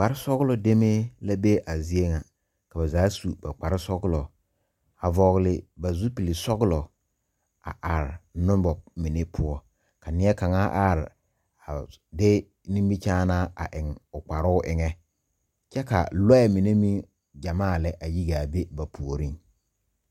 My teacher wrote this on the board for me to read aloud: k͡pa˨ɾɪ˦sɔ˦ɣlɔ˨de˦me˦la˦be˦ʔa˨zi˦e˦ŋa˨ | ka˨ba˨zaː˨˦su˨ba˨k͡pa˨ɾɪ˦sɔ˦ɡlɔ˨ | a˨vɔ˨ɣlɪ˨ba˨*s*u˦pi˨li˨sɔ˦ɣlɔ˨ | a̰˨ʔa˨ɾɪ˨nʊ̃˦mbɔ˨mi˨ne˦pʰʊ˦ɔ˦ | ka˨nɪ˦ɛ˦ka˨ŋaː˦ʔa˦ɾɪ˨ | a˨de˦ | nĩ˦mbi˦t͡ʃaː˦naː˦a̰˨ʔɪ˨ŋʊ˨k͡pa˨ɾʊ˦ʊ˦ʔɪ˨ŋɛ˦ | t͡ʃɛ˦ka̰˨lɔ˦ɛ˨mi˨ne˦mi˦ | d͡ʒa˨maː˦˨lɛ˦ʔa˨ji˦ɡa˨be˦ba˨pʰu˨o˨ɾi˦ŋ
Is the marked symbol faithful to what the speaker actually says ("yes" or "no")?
no